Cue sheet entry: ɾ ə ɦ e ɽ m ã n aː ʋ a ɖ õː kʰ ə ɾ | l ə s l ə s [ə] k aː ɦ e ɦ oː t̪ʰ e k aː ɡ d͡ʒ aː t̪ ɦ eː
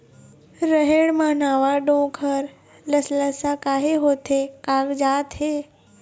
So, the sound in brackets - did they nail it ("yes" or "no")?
no